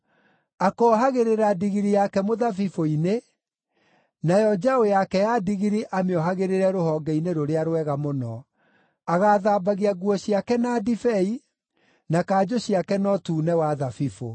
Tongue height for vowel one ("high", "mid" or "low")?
low